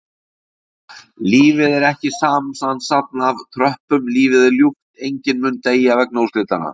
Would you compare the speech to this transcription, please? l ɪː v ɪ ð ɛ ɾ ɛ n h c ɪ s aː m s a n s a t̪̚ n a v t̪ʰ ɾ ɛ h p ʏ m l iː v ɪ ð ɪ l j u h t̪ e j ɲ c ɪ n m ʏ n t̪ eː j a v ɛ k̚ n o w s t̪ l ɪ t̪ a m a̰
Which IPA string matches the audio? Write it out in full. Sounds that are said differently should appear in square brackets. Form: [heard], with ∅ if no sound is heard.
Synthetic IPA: l [iː] v ɪ ð ɛ ɾ ɛ [∅] h c ɪ s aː m s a n s a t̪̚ n a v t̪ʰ ɾ [œ] h p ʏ m l iː v ɪ ð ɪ l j u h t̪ e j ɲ c ɪ n m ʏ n t̪ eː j a v ɛ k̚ n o w s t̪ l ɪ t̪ a [n] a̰